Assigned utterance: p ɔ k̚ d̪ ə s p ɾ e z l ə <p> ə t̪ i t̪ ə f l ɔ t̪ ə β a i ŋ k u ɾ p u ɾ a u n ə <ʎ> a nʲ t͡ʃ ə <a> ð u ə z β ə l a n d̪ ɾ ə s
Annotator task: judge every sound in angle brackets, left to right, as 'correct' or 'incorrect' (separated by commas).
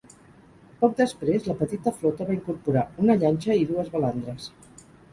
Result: correct, correct, incorrect